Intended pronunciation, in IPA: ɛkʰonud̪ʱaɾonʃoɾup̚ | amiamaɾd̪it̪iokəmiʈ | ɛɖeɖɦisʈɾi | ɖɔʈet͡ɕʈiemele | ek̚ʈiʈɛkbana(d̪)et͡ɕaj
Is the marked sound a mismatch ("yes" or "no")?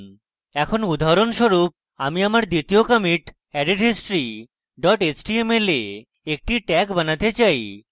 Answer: yes